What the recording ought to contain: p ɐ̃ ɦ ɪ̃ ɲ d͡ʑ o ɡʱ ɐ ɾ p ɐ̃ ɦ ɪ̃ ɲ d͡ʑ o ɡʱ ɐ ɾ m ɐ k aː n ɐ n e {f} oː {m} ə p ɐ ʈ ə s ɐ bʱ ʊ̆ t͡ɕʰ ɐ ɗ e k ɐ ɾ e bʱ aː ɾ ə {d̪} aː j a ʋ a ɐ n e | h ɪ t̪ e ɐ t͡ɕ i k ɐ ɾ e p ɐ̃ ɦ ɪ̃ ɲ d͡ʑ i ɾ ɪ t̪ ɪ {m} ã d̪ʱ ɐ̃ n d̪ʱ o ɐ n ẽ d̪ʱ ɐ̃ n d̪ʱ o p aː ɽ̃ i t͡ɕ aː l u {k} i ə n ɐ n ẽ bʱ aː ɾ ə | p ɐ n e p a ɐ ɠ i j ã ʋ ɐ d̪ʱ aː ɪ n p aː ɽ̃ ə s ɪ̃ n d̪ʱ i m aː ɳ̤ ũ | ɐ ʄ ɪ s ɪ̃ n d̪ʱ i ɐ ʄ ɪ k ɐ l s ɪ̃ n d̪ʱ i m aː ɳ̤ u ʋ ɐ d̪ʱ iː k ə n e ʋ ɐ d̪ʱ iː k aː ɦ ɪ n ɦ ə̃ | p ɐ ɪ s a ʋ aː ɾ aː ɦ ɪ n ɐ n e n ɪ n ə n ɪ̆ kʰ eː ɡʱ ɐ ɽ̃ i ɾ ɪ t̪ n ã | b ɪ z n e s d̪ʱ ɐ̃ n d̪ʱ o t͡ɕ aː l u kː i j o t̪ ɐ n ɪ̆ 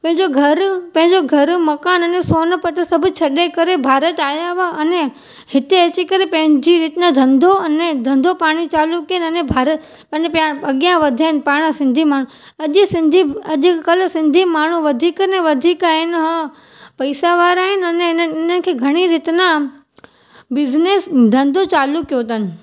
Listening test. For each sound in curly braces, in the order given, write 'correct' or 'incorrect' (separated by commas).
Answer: incorrect, incorrect, incorrect, incorrect, correct